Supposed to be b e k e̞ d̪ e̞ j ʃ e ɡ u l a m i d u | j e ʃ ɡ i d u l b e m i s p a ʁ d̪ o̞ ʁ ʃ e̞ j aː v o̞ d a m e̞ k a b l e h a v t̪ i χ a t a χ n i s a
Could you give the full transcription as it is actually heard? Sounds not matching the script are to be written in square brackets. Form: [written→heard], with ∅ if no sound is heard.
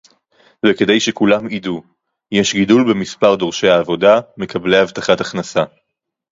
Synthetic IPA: [b→v] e k e̞ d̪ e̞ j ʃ e [ɡ→k] u l a m i d u | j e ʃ ɡ i d u l b e m i s p a ʁ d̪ o̞ ʁ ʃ e̞ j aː v o̞ d a m e̞ k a b l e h a v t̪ [i→a] χ a t a χ n [i→a] s a